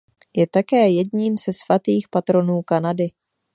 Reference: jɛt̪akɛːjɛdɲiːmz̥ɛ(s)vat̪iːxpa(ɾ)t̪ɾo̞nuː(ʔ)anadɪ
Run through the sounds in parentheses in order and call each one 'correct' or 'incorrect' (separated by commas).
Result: correct, incorrect, incorrect